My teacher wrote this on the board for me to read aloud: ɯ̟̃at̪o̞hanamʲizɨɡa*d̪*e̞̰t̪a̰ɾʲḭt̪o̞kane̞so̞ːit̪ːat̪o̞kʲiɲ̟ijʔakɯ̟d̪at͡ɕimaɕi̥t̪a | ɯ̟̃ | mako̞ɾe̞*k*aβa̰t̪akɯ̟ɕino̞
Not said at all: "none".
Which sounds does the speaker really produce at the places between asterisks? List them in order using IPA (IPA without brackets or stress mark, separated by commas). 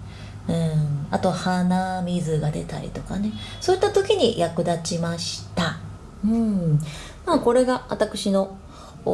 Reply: d̪, ɡ